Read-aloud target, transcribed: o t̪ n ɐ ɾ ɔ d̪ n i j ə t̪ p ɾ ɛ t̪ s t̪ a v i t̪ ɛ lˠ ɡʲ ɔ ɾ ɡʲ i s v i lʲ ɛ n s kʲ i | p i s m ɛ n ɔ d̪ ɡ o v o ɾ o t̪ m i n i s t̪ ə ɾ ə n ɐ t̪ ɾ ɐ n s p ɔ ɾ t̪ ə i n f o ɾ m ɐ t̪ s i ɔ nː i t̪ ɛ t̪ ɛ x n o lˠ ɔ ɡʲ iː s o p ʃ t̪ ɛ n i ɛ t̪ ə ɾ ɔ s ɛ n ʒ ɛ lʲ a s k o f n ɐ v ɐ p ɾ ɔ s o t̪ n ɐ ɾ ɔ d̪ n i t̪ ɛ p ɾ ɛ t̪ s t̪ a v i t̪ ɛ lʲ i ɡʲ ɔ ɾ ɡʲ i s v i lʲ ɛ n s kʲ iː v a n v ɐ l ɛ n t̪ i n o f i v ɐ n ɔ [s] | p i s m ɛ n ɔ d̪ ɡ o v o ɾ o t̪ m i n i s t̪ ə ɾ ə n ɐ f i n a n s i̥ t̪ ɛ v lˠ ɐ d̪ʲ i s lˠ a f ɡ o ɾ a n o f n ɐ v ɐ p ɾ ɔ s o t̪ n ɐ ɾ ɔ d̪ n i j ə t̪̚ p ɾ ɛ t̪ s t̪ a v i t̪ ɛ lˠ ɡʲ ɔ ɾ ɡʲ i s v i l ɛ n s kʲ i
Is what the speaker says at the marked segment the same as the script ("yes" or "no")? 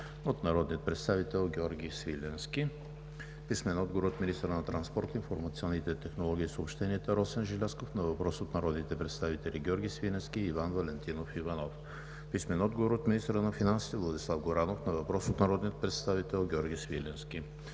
no